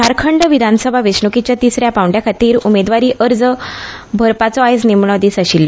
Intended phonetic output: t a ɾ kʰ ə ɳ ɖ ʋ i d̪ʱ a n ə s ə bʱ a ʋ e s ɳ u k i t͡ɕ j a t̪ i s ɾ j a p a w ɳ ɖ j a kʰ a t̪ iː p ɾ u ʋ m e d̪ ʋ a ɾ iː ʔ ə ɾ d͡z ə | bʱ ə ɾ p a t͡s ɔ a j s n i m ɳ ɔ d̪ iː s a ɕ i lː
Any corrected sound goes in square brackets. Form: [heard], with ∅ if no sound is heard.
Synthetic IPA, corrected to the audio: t a ɾ kʰ ə ɳ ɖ ʋ i d̪ʱ a n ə s ə bʱ a ʋ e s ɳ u k i t͡ɕ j a t̪ i s ɾ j a p a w ɳ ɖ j a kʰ a t̪ iː [∅] ɾ u [∅] m e d̪ ʋ a ɾ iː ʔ ə ɾ d͡z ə | bʱ ə ɾ p a t͡s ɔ a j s n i m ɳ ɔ d̪ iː s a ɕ i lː